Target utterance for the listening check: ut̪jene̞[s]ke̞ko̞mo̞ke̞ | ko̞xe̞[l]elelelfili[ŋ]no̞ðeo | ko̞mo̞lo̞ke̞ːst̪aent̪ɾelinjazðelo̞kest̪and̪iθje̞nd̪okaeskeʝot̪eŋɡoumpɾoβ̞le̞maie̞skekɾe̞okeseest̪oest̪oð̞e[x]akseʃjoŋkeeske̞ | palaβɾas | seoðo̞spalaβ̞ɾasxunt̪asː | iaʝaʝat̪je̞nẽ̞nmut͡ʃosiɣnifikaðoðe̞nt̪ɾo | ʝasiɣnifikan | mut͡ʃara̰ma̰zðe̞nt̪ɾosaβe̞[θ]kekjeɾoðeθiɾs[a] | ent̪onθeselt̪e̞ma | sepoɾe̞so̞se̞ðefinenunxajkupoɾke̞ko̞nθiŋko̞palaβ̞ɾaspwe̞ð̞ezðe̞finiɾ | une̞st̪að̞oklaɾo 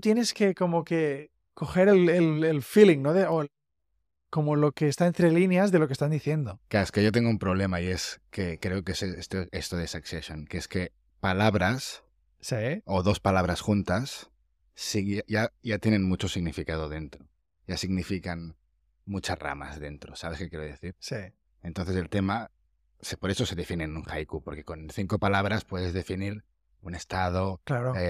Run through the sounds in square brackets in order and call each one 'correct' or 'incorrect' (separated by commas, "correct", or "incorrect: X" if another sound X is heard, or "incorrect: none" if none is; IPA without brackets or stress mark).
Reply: correct, incorrect: ɾ, correct, incorrect: s, incorrect: s, incorrect: i